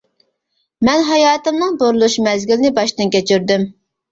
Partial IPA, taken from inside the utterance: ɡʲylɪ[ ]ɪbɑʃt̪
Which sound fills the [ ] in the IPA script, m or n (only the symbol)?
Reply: n